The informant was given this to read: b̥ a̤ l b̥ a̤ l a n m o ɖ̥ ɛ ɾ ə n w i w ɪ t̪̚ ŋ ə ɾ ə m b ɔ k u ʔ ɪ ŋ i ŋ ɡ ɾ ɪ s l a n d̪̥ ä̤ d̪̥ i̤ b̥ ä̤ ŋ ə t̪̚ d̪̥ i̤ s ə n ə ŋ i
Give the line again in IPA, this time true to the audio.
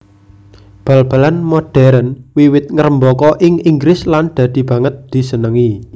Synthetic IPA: b̥ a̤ l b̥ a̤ l a n m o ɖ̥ ɛ ɾ ə n w i w ɪ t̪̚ ŋ ə ɾ ə m b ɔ k ɔ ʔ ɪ ŋ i ŋ ɡ ɾ ɪ s l a n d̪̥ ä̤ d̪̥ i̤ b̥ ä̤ ŋ ə t̪̚ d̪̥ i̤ s ə n ə ŋ i